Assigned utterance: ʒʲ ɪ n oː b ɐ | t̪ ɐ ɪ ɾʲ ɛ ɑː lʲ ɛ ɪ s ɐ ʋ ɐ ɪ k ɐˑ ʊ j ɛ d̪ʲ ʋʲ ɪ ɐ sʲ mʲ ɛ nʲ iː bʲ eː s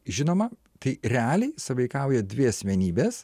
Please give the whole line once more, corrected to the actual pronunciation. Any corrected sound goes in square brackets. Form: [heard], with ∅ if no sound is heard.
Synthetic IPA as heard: ʒʲ ɪ n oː [m] ɐ | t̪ ɐ ɪ ɾʲ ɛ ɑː lʲ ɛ ɪ s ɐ ʋ ɐ ɪ k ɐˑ ʊ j ɛ d̪ʲ ʋʲ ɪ ɐ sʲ mʲ ɛ nʲ iː bʲ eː s